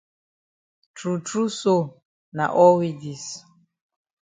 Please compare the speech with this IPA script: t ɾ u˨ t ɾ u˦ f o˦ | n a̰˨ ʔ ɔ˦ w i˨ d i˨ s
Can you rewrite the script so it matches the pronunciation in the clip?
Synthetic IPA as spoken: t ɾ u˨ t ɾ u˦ s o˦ | n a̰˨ ʔ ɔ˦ w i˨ d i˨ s